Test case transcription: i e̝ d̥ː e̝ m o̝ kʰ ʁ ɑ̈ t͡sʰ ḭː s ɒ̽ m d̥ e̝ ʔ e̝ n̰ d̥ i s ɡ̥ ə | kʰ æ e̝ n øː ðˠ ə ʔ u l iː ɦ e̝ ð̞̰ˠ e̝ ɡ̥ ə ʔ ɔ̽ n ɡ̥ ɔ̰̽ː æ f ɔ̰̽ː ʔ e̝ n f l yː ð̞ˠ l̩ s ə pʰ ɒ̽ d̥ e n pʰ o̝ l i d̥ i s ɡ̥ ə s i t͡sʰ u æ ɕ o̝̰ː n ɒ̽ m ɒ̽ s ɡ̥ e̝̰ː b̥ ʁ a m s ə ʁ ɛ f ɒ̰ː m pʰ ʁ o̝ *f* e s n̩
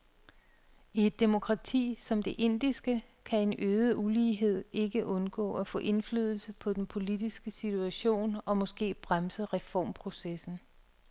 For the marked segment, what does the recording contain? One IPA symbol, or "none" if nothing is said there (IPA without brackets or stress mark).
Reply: s